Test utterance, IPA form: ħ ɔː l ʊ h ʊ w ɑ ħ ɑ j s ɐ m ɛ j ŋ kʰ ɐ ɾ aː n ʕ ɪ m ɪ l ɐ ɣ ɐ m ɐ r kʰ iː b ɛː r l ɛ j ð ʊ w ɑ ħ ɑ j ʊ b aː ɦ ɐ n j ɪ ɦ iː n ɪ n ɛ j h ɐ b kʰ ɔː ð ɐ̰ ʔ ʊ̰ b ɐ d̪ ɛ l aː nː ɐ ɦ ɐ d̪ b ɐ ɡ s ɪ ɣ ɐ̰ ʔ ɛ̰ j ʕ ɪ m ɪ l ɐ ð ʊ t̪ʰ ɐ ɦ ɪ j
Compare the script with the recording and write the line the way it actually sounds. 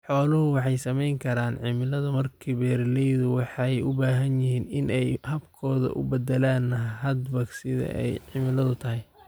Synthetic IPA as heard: ħ ɔː l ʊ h ʊ w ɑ ħ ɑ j s ɐ m ɛ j ŋ kʰ ɐ ɾ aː n ʕ ɪ m ɪ l ɐ ð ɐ m ɐ r kʰ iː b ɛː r l ɛ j ð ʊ w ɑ ħ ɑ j ʊ b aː ɦ ɐ n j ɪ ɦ iː n ɪ n ɛ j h ɐ b kʰ ɔː ð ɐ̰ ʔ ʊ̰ b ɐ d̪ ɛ l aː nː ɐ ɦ ɐ d̪ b ɐ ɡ s ɪ ð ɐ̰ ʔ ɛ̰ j ʕ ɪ m ɪ l ɐ ð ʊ t̪ʰ ɐ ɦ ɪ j